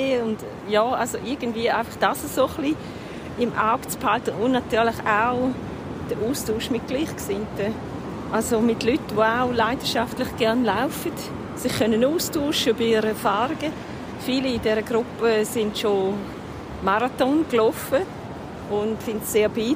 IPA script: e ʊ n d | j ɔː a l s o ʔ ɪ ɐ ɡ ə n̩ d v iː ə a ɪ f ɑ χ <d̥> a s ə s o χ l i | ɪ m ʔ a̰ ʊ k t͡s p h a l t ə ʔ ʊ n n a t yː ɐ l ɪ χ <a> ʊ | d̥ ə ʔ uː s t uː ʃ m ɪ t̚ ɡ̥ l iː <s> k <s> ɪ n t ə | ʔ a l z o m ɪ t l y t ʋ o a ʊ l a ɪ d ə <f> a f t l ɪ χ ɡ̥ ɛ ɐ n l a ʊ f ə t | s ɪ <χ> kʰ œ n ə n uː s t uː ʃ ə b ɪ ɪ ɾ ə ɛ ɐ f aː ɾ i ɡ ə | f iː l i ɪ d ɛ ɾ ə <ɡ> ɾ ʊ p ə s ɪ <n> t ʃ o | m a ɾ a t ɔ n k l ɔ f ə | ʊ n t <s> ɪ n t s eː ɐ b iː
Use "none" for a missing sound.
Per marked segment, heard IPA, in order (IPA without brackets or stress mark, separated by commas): d̥, a, χ, s, ʃ, χ, ɡ, n, s